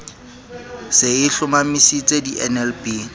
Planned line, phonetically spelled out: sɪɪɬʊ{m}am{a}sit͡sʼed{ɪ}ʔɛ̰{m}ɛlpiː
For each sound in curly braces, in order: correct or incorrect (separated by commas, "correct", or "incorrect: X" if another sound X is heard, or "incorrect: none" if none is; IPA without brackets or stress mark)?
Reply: correct, incorrect: i, incorrect: i, incorrect: n